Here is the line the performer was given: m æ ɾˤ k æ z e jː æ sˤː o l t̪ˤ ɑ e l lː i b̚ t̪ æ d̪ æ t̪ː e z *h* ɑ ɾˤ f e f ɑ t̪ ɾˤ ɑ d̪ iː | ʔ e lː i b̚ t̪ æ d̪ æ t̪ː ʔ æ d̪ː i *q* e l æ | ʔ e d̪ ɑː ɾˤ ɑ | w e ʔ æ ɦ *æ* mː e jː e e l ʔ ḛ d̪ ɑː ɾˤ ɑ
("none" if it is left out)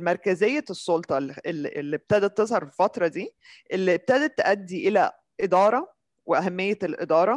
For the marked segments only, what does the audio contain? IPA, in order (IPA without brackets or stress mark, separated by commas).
h, ʔ, æ